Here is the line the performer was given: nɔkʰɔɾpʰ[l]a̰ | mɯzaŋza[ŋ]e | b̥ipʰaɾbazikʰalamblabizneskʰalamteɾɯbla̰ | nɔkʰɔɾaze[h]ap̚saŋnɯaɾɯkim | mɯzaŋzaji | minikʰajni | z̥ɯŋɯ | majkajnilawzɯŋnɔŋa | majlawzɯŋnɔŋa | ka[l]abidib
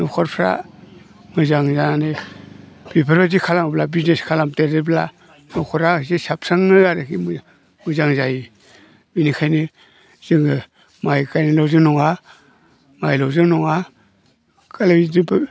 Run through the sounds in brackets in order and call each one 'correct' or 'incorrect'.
incorrect: ɾ, incorrect: n, incorrect: s, correct

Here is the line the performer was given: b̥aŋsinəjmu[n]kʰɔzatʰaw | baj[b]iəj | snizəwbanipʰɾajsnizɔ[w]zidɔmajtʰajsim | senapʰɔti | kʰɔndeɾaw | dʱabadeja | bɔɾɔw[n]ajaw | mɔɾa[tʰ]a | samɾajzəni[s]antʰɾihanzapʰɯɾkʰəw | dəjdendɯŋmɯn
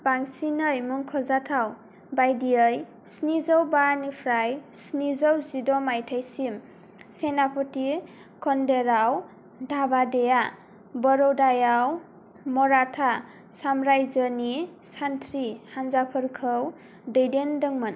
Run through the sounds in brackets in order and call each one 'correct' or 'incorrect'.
incorrect: ŋ, incorrect: d, correct, incorrect: d, correct, correct

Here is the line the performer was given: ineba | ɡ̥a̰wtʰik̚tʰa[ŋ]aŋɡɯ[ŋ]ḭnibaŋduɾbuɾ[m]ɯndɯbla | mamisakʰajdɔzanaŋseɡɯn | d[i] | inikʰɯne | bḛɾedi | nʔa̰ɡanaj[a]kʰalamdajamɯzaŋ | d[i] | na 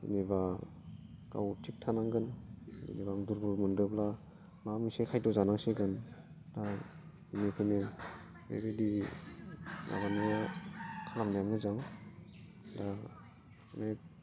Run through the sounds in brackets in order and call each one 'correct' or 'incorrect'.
incorrect: n, incorrect: n, correct, incorrect: a, correct, incorrect: a

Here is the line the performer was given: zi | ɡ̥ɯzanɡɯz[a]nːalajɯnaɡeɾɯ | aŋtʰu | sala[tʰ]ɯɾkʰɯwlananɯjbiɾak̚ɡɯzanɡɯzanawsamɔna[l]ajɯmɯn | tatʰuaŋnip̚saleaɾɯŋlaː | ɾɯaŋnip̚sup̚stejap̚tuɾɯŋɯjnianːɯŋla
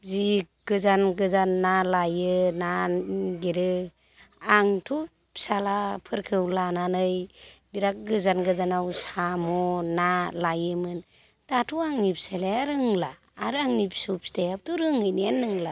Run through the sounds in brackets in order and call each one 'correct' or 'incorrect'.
correct, incorrect: pʰ, correct

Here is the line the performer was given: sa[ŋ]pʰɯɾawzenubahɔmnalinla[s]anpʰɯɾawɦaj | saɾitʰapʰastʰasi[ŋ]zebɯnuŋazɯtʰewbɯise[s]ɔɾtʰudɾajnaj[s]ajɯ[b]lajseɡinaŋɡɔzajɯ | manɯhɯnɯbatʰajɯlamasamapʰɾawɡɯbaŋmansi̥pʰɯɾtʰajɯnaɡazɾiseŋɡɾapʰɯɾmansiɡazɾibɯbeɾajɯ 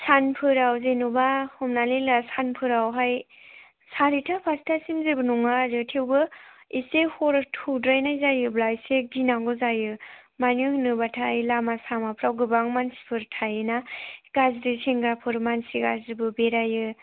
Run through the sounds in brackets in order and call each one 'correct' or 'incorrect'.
incorrect: n, correct, incorrect: m, incorrect: h, incorrect: z, correct

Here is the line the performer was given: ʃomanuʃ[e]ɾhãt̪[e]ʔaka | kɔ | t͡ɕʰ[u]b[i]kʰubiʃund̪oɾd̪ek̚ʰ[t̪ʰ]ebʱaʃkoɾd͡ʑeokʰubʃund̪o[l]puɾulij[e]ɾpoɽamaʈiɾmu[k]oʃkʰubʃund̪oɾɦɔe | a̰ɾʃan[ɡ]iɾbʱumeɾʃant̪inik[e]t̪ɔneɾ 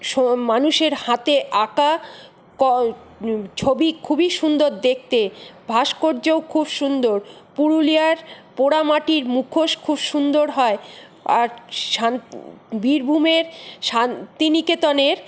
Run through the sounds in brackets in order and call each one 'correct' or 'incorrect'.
correct, correct, incorrect: o, correct, incorrect: t̪, incorrect: ɾ, incorrect: a, incorrect: kʰ, incorrect: b, correct

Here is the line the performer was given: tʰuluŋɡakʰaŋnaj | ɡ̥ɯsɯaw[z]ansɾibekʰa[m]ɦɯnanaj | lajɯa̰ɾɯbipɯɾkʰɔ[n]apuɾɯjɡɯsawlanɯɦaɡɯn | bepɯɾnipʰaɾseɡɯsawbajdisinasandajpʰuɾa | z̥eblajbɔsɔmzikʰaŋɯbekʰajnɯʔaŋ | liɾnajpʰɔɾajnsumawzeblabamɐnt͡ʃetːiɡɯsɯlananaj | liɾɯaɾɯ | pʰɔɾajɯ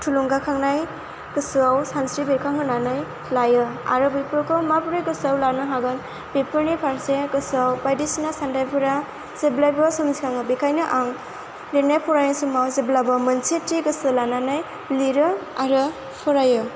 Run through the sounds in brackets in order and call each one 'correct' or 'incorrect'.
incorrect: s, incorrect: ŋ, incorrect: m

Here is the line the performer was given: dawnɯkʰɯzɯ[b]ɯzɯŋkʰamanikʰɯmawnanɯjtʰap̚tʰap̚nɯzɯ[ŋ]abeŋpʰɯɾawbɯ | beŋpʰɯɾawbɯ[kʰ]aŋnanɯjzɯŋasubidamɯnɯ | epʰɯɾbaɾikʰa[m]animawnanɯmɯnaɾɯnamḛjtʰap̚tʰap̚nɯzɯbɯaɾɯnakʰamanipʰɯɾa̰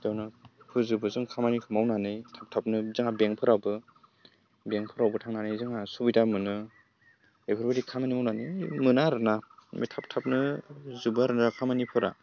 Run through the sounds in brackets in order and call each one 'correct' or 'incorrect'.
correct, correct, incorrect: tʰ, correct

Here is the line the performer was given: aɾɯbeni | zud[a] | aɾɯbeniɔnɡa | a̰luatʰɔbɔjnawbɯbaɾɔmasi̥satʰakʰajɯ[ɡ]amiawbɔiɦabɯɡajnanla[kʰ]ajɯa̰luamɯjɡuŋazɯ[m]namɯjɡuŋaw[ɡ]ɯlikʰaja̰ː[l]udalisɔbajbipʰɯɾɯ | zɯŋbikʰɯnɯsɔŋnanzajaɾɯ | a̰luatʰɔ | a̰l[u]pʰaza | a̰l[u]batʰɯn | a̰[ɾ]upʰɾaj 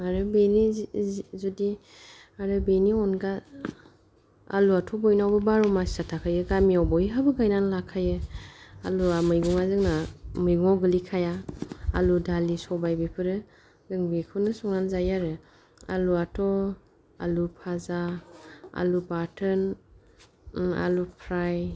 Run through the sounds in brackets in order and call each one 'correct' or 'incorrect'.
incorrect: i, correct, correct, incorrect: ŋ, correct, correct, correct, correct, incorrect: l

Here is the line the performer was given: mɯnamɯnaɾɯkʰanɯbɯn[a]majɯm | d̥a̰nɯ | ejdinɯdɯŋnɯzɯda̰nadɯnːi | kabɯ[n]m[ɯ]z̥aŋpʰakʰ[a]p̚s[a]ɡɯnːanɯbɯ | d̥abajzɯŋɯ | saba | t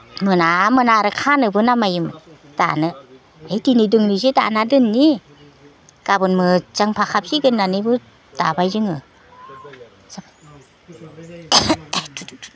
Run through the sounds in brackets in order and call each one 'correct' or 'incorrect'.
correct, correct, correct, correct, incorrect: i

